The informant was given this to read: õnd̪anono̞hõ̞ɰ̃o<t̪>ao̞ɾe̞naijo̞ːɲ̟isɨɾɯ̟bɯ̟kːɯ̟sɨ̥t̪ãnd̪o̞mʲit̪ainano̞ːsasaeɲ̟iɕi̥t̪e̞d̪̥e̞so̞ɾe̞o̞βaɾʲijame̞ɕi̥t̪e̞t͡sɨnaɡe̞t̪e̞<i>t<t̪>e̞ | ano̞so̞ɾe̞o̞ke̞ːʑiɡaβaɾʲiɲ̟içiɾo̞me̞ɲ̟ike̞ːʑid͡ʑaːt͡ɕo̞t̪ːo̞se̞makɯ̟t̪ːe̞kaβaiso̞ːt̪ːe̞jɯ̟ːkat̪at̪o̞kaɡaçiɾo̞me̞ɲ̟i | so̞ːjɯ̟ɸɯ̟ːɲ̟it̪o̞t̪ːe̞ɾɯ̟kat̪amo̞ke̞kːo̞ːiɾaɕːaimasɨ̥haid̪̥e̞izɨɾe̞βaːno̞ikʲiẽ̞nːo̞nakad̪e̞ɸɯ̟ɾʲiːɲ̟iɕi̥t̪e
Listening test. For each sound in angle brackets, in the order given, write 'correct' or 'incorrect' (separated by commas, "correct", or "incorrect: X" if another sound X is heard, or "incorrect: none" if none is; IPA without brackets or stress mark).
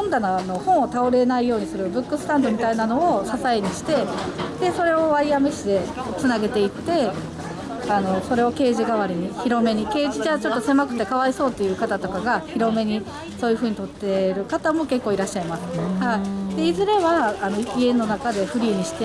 correct, correct, correct